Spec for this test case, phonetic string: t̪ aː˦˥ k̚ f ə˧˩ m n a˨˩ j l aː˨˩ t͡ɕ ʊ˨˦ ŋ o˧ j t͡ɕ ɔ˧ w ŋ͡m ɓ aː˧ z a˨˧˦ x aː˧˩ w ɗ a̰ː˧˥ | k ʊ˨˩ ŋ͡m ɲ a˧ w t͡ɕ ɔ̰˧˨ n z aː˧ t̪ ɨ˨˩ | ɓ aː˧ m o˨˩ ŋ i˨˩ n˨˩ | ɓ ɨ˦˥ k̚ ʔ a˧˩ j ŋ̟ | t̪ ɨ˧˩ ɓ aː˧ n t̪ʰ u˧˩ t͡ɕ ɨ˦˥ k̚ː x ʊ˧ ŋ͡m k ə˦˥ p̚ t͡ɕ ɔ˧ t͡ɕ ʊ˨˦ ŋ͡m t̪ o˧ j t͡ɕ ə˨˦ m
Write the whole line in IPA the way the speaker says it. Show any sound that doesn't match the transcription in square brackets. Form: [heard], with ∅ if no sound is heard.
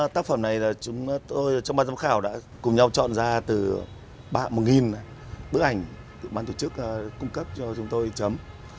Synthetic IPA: t̪ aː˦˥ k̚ f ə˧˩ m n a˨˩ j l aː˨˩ t͡ɕ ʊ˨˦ [ŋ͡m] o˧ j t͡ɕ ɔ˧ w ŋ͡m ɓ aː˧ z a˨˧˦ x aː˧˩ w ɗ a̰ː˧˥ | k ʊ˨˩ ŋ͡m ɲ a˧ w t͡ɕ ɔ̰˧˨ n z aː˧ t̪ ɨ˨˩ | ɓ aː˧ m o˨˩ ŋ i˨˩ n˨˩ | ɓ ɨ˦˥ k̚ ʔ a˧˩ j ŋ̟ | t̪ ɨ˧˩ ɓ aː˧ n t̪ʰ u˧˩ t͡ɕ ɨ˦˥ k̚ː [k] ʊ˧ ŋ͡m k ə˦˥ p̚ t͡ɕ ɔ˧ t͡ɕ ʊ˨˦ ŋ͡m t̪ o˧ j t͡ɕ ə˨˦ m